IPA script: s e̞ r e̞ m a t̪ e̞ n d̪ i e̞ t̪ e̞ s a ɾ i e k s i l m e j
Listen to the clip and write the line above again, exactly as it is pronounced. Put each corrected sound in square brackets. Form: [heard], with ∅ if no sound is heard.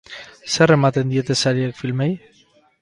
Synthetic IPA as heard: s e̞ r e̞ m a t̪ e̞ n d̪ i e̞ t̪ e̞ s a ɾ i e k [f] i l m e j